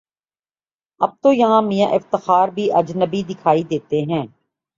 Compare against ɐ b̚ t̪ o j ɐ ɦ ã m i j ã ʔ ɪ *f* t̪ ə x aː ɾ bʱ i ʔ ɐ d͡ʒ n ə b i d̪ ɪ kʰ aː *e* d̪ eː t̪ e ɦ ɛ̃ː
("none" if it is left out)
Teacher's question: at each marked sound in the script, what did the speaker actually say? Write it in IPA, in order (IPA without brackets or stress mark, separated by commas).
f, i